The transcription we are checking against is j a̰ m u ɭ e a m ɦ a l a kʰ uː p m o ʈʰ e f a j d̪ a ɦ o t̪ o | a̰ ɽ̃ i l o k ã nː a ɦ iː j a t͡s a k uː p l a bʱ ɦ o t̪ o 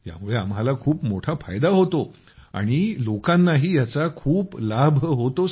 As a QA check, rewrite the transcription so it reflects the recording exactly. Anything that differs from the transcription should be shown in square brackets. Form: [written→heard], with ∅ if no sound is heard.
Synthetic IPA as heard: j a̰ m u ɭ e a m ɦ a l a kʰ uː p m o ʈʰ [e→a] f a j d̪ a ɦ o t̪ o | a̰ ɽ̃ i l o k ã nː a ɦ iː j a t͡s a [k→kʰ] uː p l a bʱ ɦ o t̪ o